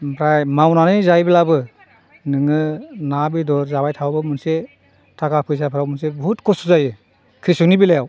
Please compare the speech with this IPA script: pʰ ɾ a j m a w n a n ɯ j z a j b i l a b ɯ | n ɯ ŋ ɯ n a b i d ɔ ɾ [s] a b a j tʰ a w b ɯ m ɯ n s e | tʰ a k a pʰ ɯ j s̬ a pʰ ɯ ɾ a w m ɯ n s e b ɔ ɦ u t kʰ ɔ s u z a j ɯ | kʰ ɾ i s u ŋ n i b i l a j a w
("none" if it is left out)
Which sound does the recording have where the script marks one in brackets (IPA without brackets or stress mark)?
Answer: z